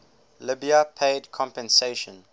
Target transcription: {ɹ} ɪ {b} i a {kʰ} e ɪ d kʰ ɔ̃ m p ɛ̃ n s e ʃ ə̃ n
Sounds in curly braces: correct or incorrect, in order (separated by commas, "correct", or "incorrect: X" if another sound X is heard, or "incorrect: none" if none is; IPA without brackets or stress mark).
incorrect: l, correct, incorrect: pʰ